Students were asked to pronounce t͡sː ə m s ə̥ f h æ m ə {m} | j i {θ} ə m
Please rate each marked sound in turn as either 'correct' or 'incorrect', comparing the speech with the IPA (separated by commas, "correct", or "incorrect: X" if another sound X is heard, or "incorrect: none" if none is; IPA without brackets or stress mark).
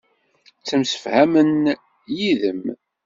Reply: incorrect: n, incorrect: ð